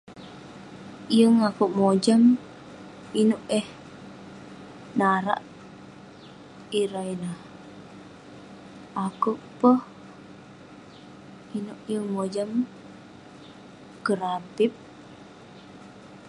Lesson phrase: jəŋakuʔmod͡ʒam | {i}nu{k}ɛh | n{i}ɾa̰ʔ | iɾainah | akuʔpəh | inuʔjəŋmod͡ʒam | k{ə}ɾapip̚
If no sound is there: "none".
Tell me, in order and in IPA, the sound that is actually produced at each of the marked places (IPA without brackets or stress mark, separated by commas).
i, ʔ, a, ə